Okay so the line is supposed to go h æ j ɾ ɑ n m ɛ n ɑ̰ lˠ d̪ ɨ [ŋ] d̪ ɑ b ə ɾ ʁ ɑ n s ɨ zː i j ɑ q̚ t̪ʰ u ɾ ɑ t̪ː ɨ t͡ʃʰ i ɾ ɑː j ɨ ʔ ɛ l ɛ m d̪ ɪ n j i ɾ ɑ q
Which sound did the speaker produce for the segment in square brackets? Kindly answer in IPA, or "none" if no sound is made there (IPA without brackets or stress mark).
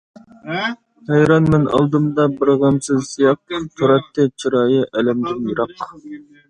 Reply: m